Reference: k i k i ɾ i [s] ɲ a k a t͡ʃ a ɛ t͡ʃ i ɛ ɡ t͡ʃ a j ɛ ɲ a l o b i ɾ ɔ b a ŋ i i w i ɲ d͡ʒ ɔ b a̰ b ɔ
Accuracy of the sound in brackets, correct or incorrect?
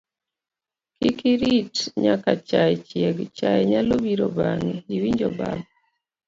incorrect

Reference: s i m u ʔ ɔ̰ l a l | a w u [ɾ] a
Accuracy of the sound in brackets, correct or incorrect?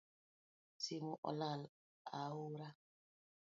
correct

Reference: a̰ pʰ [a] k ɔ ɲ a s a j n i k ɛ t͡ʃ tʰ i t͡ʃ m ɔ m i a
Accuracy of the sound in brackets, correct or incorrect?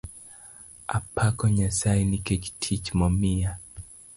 correct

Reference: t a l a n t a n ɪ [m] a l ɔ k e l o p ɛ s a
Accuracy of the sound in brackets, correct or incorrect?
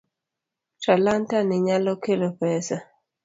incorrect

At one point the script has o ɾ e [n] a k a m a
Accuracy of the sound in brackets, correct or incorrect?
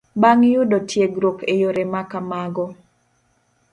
incorrect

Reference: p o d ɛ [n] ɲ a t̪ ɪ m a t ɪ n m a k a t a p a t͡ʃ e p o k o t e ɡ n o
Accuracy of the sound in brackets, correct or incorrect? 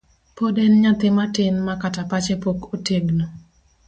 correct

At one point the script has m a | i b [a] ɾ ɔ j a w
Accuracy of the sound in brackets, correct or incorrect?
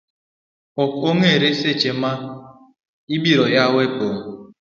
incorrect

